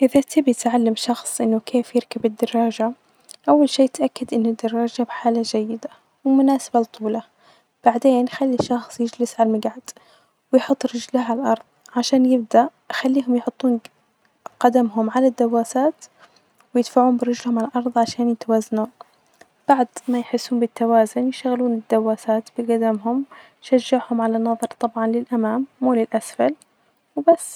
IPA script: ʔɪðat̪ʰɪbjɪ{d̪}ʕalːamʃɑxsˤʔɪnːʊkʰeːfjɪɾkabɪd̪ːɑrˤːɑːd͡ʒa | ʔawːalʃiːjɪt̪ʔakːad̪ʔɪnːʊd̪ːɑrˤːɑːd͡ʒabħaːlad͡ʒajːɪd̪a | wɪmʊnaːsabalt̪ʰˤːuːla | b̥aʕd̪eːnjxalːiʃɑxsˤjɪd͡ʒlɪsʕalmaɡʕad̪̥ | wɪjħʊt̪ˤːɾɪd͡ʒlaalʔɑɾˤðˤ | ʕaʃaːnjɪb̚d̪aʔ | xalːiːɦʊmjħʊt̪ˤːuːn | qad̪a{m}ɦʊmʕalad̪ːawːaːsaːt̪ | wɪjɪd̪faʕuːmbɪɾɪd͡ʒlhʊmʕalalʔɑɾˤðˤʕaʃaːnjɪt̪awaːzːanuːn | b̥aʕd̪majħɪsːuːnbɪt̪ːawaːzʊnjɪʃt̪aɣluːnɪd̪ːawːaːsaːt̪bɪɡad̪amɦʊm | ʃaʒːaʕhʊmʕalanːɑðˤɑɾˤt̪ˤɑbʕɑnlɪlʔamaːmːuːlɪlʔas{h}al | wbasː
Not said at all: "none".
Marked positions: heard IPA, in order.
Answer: t̪, m, f

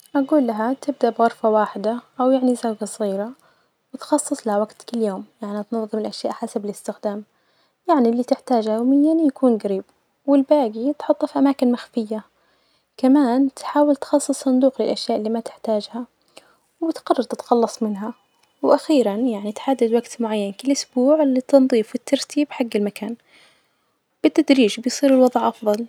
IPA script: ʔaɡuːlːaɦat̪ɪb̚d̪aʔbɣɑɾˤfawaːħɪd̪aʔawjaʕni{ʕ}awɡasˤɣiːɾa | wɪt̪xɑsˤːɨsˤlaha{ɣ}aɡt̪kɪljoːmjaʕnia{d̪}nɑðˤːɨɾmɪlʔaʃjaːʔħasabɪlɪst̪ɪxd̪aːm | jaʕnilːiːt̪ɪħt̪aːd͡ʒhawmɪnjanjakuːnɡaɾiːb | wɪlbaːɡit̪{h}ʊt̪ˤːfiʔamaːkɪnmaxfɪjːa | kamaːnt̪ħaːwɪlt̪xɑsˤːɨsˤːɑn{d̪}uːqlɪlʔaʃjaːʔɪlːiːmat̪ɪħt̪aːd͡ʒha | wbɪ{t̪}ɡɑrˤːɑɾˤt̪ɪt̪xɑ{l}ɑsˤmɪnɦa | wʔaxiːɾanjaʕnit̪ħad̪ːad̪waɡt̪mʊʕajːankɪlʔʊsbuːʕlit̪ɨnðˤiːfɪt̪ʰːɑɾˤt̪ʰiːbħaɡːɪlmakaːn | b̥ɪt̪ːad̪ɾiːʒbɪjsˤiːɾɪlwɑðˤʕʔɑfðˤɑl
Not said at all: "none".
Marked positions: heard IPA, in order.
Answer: z, w, t̪, ħ, d̪, t̪, lː

